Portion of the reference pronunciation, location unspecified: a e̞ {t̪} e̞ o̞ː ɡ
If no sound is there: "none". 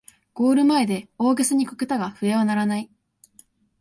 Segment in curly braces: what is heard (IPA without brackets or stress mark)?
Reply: d̪